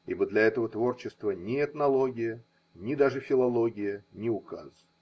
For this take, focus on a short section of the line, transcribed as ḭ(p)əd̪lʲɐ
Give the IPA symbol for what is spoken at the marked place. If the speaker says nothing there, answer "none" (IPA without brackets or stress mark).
b